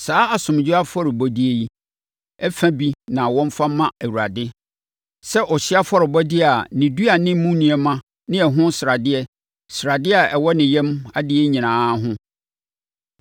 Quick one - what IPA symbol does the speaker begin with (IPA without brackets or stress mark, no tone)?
s